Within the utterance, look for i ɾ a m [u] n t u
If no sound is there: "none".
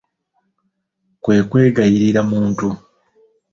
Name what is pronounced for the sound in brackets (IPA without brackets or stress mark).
uː